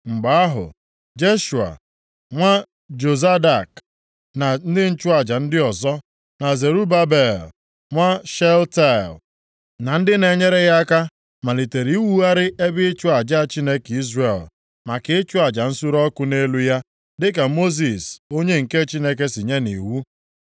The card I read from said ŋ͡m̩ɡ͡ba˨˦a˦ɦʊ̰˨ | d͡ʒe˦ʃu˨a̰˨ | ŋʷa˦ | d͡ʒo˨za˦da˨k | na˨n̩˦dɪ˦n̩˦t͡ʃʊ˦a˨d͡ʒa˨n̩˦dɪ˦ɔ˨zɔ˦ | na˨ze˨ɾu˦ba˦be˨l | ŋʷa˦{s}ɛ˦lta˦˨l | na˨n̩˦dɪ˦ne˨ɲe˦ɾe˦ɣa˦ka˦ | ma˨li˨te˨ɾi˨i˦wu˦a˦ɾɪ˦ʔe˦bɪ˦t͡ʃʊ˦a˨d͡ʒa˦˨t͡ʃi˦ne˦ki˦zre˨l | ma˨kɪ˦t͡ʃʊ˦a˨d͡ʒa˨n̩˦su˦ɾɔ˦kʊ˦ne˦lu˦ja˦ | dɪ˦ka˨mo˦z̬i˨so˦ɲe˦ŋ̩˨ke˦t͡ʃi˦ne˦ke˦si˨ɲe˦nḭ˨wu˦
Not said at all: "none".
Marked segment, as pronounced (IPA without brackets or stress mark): ʃ